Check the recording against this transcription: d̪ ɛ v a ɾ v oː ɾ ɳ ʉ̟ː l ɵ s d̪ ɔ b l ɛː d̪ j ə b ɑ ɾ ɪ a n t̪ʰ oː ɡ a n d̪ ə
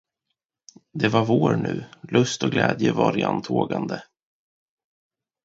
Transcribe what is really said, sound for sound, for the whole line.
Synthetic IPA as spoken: d̪ ɛ v a ɾ v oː ɾ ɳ ʉ̟ː l ɵ s t̪ ɔ ɡ l ɛː d̪ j ə v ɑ ɾ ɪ a n t̪ʰ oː ɡ a n d̪ ə